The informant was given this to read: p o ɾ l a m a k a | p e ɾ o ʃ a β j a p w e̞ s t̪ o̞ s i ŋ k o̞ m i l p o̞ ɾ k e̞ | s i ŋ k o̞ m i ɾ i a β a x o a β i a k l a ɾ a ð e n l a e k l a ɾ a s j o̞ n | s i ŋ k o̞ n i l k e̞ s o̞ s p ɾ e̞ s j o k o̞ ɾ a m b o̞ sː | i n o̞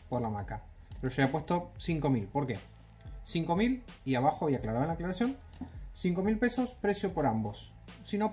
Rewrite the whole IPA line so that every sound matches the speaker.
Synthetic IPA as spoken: p o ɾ l a m a k a | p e ɾ o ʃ a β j a p w e̞ s t̪ o̞ s i ŋ k o̞ m i l p o̞ ɾ k e̞ | s i ŋ k o̞ m i l i a β a x o a β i a k l a ɾ a ð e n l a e k l a ɾ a s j o̞ n | s i ŋ k o̞ m i l p e̞ s o̞ s p ɾ e̞ s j o p o̞ ɾ a m b o̞ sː | i n o̞